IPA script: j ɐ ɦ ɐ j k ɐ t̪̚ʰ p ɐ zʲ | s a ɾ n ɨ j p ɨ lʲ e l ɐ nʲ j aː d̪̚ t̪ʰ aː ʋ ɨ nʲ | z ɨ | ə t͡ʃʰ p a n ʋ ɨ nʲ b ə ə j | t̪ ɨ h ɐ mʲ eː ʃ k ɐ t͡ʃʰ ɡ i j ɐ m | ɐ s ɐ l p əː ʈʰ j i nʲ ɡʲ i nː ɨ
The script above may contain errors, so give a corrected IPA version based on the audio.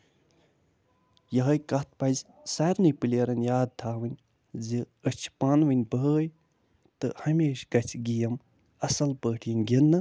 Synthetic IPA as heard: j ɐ ɦ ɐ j k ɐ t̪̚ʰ p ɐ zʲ | s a ɾ n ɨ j p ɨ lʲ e ɾ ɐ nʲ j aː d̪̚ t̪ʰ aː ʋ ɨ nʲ | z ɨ | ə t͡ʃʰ p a n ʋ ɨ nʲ b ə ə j | t̪ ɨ h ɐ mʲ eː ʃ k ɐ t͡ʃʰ ɡ i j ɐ m | ɐ s ɐ l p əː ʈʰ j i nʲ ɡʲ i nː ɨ